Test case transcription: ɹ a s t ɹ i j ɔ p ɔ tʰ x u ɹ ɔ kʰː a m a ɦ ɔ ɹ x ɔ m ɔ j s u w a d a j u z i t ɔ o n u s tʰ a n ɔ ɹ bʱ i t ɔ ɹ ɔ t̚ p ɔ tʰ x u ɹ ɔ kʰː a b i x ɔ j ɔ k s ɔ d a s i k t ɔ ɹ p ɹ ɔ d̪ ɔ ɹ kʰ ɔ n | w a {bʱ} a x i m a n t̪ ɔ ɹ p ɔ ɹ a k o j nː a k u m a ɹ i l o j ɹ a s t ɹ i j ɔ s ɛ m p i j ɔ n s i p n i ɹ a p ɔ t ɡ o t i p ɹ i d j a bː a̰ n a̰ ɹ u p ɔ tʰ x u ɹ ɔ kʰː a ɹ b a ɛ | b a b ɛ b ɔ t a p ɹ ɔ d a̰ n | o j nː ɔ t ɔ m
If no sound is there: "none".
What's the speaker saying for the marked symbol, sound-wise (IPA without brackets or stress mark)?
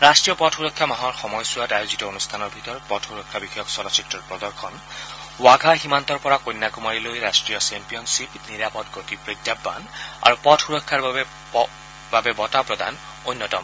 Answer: ɡʱ